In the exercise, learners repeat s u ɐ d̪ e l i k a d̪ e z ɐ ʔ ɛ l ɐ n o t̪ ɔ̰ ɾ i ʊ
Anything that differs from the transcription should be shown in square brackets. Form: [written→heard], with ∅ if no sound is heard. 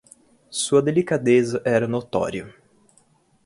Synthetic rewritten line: s u ɐ d̪ e l i k a d̪ e z ɐ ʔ ɛ [l→ɾ] ɐ n o t̪ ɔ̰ ɾ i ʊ